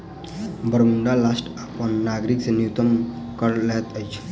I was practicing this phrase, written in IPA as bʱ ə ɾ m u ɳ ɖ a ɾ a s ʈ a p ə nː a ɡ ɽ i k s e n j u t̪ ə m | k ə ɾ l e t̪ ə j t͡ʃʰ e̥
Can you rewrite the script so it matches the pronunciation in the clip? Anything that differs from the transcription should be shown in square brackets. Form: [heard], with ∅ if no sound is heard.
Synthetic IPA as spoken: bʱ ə ɾ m u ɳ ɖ a [l] a s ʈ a p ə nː a ɡ [ɾ] i k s e n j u t̪ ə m | k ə ɾ l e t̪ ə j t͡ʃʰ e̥